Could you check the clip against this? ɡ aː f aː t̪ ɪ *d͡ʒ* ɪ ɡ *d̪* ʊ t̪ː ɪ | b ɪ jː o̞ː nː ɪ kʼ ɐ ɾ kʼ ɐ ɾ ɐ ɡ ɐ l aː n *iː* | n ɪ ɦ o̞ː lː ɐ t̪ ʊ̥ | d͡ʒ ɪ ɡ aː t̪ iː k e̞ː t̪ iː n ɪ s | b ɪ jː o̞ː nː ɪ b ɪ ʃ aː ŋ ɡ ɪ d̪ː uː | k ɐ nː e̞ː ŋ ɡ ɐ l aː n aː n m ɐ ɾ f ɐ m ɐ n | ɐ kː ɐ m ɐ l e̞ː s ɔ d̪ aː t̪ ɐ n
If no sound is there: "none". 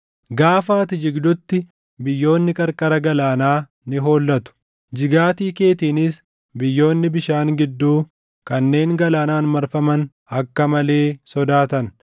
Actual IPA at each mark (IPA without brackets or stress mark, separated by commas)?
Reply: d͡ʒ, d̪, aː